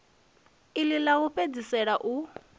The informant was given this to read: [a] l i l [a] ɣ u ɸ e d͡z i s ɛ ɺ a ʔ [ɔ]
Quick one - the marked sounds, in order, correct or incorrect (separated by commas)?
incorrect, correct, incorrect